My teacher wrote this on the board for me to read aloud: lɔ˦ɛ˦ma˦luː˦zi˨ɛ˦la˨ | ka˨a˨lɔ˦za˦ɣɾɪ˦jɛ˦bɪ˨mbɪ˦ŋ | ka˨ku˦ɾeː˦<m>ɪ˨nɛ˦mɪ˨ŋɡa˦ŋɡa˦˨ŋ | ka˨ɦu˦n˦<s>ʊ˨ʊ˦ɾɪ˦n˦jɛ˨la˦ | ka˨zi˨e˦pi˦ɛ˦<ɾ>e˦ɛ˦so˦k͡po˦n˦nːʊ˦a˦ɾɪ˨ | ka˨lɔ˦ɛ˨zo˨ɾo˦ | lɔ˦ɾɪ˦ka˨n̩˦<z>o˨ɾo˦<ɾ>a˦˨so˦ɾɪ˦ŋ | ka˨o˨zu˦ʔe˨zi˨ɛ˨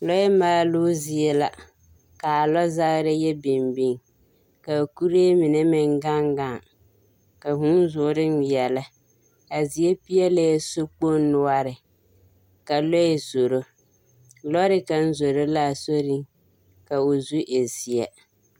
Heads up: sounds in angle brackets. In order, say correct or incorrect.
correct, incorrect: z, incorrect: l, correct, incorrect: l

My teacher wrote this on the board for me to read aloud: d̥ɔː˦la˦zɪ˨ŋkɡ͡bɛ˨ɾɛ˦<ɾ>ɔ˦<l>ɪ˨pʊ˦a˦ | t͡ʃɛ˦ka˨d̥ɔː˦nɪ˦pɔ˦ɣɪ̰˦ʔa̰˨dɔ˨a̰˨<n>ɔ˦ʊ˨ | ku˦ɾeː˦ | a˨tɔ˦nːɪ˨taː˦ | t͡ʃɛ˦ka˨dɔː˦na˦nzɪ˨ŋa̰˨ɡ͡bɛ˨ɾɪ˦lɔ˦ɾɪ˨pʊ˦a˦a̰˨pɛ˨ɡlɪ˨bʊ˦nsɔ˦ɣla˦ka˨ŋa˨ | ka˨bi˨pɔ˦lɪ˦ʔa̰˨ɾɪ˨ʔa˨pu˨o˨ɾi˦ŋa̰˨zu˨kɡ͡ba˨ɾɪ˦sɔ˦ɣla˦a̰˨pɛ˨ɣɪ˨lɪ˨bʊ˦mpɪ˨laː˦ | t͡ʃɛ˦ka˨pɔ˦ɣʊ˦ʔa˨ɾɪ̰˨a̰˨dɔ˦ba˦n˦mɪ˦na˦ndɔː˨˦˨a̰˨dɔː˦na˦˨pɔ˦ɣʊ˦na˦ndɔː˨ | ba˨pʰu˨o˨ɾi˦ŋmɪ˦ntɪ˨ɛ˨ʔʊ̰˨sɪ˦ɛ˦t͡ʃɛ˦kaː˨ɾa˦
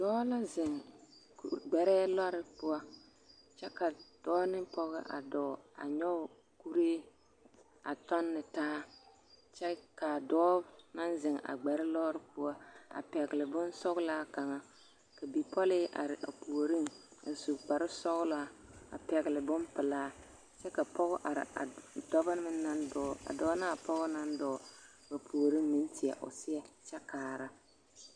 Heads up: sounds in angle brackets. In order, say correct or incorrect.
incorrect: l, incorrect: ɾ, incorrect: ɲ

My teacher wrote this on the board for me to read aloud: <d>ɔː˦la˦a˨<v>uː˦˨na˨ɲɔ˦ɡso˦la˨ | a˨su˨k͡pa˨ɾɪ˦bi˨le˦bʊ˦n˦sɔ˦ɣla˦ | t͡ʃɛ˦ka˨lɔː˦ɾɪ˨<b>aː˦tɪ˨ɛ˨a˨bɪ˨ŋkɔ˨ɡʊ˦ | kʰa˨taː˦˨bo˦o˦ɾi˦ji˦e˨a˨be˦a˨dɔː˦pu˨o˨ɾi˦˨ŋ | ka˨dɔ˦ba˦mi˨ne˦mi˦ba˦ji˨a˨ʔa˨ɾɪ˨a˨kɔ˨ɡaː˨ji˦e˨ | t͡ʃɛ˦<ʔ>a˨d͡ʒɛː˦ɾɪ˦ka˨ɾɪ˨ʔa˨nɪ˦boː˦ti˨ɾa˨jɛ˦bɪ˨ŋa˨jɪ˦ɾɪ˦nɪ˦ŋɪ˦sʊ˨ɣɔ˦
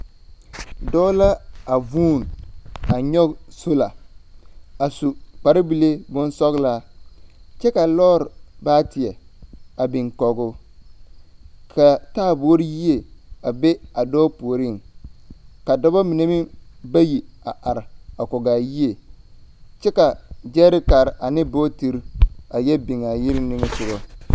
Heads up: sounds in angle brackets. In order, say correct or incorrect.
correct, correct, correct, incorrect: k

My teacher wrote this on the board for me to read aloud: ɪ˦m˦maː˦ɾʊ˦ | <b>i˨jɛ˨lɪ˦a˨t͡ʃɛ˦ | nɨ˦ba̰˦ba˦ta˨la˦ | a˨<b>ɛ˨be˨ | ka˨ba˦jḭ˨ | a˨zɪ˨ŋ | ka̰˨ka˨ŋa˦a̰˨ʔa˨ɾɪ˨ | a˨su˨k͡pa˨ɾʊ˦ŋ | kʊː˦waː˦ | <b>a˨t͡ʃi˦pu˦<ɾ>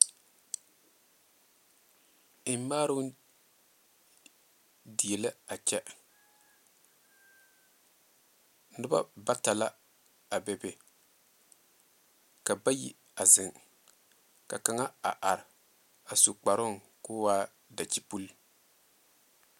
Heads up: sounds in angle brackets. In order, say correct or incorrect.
incorrect: d, correct, incorrect: d, incorrect: l

